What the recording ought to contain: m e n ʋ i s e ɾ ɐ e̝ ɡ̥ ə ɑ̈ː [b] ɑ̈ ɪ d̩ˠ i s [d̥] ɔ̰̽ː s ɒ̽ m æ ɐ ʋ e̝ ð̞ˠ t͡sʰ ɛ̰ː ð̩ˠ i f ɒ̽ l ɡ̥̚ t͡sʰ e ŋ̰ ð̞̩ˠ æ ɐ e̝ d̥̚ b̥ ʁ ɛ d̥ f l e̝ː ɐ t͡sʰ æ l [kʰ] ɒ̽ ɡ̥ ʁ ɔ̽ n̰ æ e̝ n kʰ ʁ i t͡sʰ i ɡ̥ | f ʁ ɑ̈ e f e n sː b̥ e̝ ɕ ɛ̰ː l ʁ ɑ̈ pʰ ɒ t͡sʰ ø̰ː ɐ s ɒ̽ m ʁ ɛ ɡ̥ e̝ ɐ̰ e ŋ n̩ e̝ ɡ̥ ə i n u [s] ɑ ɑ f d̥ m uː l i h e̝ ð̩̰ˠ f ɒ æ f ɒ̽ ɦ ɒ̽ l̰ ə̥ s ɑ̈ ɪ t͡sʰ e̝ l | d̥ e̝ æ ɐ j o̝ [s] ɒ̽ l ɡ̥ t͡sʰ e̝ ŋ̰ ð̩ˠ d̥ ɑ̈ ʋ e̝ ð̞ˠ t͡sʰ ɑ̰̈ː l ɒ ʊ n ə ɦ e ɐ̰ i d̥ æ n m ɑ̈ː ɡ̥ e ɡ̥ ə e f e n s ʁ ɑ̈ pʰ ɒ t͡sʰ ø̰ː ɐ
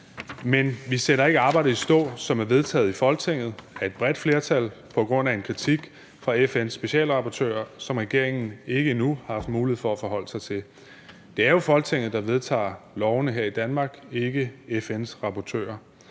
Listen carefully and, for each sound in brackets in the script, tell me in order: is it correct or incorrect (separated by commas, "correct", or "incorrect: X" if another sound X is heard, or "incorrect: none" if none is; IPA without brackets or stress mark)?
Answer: correct, correct, incorrect: pʰ, incorrect: h, incorrect: f